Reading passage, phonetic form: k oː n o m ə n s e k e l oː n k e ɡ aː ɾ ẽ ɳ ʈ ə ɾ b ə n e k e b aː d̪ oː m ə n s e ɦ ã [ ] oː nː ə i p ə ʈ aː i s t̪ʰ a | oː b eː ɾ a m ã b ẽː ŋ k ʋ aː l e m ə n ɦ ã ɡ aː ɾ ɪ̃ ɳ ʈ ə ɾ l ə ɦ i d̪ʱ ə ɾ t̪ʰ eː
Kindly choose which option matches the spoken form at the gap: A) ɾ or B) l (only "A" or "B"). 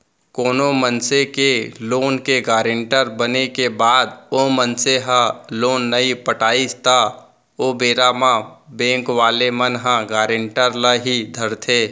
B